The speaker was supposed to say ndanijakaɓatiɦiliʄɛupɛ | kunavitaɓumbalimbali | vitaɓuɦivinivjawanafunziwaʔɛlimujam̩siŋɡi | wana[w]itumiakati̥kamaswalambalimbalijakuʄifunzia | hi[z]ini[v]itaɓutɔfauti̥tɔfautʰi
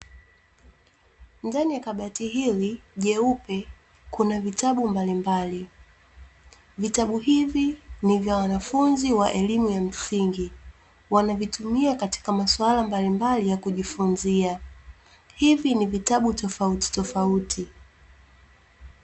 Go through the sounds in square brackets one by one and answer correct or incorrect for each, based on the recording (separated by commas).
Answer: incorrect, incorrect, correct